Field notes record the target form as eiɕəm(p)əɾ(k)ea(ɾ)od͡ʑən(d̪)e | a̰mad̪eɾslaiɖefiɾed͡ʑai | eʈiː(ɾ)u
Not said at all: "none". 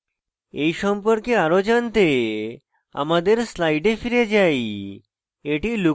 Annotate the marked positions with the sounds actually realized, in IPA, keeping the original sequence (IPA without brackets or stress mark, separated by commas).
p, k, ɾ, t̪, l